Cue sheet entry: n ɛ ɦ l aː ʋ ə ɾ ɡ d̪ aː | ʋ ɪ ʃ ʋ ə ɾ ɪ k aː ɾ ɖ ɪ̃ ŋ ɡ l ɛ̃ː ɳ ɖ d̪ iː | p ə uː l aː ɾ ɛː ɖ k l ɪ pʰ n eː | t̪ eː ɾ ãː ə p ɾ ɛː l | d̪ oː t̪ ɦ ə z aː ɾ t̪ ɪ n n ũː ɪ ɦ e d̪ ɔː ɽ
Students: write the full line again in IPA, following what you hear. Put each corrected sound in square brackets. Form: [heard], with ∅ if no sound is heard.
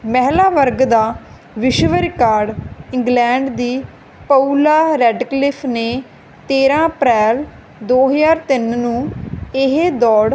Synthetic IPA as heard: [m] ɛ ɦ l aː ʋ ə ɾ ɡ d̪ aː | ʋ ɪ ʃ ʋ ə ɾ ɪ k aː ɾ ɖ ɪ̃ ŋ ɡ l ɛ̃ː ɳ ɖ d̪ iː | p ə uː l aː ɾ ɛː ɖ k l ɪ pʰ n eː | t̪ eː ɾ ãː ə p ɾ ɛː l | d̪ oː [∅] ɦ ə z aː ɾ t̪ ɪ n n ũː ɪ ɦ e d̪ ɔː ɽ